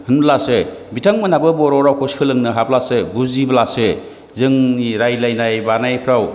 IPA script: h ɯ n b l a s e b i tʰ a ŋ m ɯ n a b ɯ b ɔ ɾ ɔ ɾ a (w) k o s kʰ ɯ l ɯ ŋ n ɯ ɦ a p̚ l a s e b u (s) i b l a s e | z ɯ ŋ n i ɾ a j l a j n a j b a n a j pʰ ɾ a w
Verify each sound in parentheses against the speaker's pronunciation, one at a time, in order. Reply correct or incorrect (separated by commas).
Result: correct, incorrect